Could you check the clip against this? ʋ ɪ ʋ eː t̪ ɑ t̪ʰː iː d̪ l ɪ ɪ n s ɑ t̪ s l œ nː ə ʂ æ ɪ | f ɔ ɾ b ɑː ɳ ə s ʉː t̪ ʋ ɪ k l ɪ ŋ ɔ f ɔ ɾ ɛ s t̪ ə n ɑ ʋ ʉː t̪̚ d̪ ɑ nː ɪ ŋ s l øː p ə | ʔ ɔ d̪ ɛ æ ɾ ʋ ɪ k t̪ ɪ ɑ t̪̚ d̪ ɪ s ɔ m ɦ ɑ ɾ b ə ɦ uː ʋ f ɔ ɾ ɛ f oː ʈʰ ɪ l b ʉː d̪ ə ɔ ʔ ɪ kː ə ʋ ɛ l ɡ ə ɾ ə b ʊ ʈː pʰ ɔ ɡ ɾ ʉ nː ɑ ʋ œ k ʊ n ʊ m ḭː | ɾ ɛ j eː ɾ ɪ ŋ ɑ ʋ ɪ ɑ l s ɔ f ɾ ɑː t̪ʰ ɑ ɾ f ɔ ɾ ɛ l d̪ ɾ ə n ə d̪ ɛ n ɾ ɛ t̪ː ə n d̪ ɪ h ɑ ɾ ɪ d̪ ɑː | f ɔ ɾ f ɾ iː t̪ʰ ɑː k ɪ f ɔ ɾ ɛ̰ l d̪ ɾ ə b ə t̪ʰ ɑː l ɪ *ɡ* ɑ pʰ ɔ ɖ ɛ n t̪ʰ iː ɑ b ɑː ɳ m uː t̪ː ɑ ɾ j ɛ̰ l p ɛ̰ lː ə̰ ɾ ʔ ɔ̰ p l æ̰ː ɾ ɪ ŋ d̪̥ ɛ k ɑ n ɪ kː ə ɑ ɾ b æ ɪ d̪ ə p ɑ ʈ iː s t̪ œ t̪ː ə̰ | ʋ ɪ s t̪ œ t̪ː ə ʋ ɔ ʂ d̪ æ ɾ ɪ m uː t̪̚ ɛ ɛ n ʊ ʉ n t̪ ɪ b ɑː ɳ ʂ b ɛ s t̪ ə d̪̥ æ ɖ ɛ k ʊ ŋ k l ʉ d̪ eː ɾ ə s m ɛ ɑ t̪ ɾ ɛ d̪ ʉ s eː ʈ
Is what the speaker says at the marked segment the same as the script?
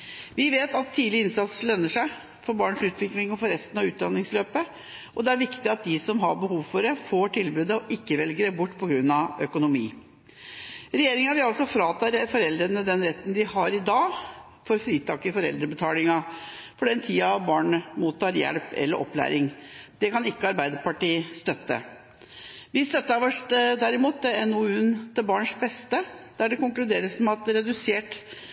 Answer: no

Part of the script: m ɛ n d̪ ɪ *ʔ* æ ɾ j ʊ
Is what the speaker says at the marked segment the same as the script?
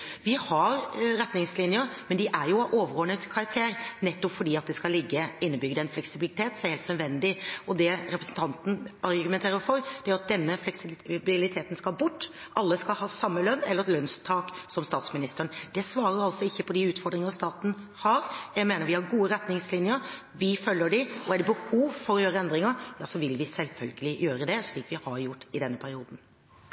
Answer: yes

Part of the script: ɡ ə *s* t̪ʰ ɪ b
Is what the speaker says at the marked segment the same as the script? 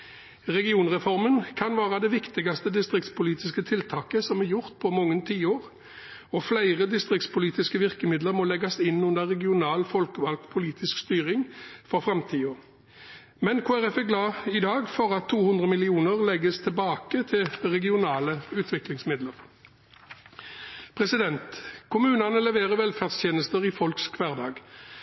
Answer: yes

